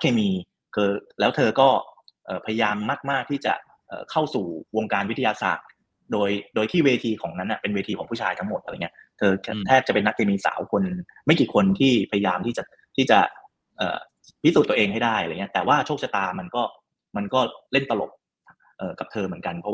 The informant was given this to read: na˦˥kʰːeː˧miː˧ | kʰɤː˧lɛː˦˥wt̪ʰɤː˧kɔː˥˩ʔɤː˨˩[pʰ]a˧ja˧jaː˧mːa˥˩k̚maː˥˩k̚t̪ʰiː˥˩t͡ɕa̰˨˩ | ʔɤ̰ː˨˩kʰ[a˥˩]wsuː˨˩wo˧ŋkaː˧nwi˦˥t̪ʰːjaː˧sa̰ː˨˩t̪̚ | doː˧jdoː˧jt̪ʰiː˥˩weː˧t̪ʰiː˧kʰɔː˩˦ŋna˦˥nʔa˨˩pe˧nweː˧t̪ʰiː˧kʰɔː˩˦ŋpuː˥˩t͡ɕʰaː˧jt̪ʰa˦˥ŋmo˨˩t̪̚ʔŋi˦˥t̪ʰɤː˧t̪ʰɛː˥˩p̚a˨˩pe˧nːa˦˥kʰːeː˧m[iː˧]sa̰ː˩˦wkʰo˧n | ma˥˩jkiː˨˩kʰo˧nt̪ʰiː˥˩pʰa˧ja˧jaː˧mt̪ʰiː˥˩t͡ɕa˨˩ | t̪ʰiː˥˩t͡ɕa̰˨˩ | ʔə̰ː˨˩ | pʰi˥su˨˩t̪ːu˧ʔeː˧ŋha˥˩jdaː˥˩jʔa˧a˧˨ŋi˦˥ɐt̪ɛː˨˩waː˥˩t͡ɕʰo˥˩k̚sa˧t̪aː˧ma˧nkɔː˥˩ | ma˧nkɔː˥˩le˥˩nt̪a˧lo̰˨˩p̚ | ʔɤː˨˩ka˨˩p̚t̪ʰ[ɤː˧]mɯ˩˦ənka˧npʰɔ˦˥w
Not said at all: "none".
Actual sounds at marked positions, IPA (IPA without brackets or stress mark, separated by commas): pʰ, a˥˩, iː˧, ɤː˧